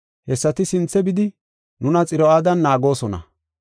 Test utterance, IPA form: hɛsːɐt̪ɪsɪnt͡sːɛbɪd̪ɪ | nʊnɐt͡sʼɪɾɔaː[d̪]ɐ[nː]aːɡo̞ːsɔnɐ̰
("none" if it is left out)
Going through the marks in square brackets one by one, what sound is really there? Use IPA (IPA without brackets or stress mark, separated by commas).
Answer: d̪, nː